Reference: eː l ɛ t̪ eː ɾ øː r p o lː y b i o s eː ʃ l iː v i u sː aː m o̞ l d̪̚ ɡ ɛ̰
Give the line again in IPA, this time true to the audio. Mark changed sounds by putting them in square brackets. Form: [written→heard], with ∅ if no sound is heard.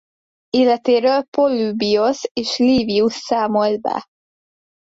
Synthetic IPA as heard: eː l ɛ t̪ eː ɾ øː [r→l] p o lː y b i o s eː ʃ l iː v i u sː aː m o̞ l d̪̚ [ɡ→b] ɛ̰